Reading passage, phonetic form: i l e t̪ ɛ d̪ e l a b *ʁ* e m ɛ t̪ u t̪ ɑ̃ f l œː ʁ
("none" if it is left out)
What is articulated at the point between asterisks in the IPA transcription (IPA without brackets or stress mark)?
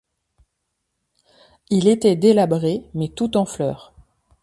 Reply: ʁ